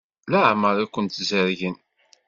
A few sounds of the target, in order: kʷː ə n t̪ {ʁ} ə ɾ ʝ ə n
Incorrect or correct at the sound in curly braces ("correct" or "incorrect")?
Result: incorrect